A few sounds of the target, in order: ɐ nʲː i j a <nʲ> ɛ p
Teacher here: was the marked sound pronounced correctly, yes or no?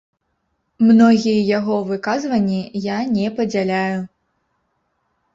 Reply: yes